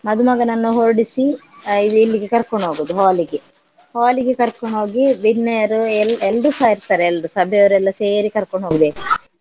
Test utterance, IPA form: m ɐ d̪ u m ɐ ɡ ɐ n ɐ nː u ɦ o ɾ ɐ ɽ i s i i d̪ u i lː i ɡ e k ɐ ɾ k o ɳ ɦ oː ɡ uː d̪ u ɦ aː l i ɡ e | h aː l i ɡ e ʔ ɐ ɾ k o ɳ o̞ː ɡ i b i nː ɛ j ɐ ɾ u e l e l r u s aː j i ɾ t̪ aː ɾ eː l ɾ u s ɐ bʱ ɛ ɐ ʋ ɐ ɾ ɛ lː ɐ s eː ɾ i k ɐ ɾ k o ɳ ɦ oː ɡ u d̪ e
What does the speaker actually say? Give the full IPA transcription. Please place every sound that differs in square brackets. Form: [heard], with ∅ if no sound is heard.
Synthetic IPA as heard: m ɐ d̪ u m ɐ ɡ ɐ n ɐ nː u ɦ o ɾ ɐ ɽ i s i i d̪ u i lː i ɡ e k ɐ ɾ k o ɳ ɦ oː ɡ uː d̪ u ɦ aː l i ɡ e | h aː l i ɡ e [k] ɐ ɾ k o ɳ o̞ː ɡ i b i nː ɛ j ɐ ɾ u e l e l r u s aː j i ɾ t̪ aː ɾ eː l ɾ u s ɐ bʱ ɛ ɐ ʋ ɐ ɾ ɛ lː ɐ s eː ɾ i k ɐ ɾ k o ɳ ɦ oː ɡ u d̪ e